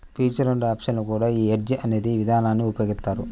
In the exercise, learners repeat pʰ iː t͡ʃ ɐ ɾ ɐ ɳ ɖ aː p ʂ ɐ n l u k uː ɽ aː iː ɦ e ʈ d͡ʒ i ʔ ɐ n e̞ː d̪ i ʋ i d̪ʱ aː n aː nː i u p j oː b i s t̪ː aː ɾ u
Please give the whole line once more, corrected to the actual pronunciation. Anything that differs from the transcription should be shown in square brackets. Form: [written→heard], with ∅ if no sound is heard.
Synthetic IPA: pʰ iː t͡ʃ ɐ ɾ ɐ ɳ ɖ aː p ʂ ɐ n l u k uː ɽ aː iː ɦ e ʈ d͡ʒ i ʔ ɐ n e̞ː d̪ i ʋ i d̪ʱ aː n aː nː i u p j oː [b→ɡ] i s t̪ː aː ɾ u